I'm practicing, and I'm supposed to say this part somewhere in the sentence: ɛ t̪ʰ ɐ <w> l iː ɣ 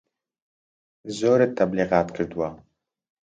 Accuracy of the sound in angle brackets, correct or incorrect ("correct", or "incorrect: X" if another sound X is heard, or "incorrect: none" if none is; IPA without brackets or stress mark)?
incorrect: b